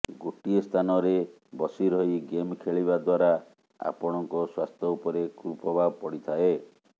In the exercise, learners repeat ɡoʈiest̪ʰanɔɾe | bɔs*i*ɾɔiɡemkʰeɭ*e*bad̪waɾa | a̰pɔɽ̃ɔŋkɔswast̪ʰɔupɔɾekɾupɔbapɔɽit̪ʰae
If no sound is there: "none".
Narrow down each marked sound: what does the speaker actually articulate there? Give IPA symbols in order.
i, i

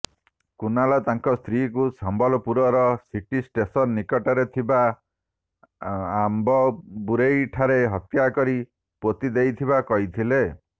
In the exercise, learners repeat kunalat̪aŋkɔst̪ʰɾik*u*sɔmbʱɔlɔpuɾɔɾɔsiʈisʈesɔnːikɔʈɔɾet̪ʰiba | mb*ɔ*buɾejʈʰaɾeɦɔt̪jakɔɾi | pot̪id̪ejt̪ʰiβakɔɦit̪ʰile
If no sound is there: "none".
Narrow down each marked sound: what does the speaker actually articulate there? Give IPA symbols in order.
u, ɔ

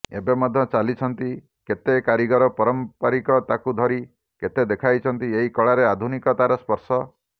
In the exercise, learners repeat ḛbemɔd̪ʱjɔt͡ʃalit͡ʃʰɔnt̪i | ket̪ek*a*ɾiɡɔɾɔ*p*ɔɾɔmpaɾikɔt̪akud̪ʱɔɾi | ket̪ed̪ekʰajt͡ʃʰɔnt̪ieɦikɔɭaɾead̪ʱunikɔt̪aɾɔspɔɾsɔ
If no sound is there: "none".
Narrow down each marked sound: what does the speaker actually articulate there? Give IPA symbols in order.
a, p

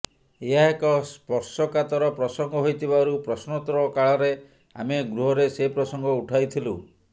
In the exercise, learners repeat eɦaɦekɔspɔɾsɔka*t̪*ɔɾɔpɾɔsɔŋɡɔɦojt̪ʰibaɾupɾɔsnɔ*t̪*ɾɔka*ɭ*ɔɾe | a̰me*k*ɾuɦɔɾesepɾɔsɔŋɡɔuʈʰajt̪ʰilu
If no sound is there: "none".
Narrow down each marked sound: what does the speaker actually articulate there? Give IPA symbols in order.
t̪, t̪, ɭ, ɡ

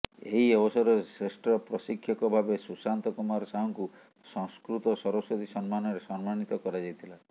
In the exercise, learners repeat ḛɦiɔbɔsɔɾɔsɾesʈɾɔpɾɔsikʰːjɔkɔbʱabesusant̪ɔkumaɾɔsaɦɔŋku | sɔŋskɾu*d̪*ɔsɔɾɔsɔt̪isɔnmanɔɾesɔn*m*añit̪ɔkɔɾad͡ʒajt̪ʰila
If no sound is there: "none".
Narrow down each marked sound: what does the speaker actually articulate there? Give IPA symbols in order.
t̪, m

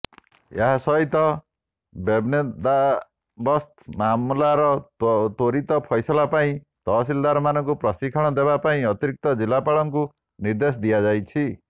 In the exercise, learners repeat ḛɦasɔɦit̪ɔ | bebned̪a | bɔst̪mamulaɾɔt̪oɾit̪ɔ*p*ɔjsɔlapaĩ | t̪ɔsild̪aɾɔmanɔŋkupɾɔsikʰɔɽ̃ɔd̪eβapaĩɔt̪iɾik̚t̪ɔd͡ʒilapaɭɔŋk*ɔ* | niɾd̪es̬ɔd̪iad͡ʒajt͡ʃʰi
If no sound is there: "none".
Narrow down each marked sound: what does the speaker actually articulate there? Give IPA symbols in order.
pʰ, u

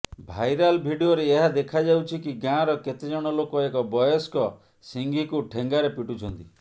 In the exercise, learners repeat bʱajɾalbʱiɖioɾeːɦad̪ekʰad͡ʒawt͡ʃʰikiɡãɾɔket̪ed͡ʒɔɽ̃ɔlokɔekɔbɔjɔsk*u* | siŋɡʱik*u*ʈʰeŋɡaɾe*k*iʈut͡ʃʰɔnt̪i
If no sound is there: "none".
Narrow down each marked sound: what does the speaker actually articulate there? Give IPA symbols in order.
ɔ, u, p

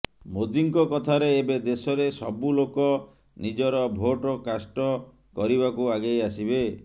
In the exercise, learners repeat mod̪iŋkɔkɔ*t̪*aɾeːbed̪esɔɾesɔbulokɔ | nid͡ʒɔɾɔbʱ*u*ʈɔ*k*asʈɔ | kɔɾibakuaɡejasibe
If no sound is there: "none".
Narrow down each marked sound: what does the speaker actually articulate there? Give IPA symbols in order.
t̪ʰ, o, k

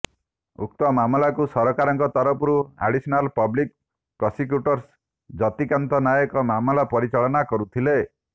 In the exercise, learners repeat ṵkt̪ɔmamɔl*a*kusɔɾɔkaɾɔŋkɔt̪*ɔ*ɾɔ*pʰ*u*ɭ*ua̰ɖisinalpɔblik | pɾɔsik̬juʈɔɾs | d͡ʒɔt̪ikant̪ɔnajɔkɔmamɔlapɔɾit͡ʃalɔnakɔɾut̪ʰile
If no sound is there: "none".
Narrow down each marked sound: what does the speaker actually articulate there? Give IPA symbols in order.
a, ɔ, p, ɾ

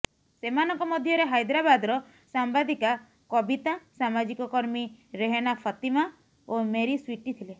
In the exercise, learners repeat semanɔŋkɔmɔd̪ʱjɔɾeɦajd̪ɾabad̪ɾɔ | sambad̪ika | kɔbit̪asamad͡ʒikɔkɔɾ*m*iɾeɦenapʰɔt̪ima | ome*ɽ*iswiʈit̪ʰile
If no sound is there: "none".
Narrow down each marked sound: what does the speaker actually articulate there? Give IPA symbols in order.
m, ɾ

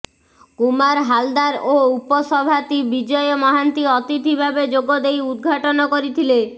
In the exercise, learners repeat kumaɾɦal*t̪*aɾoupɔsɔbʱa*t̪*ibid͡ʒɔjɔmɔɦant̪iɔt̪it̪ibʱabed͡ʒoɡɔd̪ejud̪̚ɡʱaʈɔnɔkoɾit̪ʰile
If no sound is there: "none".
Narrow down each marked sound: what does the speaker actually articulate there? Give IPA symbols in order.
d̪, t̪

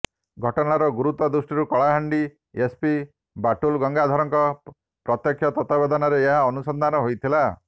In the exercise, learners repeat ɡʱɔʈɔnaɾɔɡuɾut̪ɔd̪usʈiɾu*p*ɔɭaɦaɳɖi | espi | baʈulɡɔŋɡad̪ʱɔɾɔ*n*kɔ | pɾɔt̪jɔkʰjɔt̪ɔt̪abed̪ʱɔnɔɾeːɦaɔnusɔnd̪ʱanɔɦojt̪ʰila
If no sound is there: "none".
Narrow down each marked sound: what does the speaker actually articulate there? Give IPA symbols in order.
k, ŋ

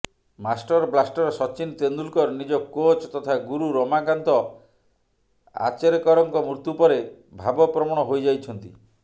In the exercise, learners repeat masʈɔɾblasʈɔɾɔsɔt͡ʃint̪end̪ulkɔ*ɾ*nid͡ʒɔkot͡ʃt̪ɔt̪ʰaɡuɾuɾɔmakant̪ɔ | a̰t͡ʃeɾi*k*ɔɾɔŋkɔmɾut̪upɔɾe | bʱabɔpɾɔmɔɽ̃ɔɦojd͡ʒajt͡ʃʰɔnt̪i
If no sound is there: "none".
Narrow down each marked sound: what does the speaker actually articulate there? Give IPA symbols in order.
ɾ, k

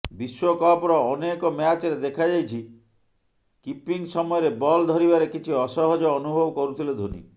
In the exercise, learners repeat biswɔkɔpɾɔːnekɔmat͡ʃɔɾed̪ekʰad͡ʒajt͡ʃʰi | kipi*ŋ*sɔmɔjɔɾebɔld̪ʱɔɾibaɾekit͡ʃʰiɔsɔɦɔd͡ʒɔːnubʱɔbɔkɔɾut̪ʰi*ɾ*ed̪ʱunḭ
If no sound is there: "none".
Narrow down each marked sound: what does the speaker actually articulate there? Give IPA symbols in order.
ŋ, l

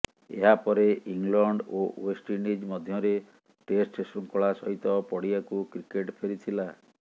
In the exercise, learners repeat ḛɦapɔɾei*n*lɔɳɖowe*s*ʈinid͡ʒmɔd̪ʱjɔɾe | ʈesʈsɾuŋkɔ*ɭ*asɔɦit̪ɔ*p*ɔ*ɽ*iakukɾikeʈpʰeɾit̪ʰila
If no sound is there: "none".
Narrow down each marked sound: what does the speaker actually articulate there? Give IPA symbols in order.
ŋ, s, ɭ, p, ɽ

